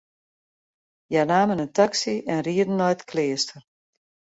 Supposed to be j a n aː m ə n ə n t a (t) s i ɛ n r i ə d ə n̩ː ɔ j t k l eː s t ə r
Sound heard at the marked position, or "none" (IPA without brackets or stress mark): k